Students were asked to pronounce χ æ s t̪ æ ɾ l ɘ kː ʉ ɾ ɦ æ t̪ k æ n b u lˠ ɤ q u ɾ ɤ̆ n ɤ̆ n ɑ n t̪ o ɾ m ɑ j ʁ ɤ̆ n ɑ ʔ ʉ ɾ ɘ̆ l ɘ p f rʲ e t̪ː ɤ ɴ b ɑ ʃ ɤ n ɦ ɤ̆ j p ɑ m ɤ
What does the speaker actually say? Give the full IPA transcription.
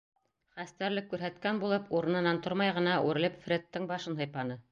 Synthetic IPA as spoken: χ æ s t̪ æ ɾ l ɘ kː ʉ ɾ ɦ æ t̪ k æ n b u lˠ ɤ p u ɾ ɤ̆ n ɤ̆ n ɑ n t̪ o ɾ m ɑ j ʁ ɤ̆ n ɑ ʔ ʉ ɾ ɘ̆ l ɘ p f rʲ e t̪ː ɤ ɴ b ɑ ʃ ɤ n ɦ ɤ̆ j p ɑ n ɤ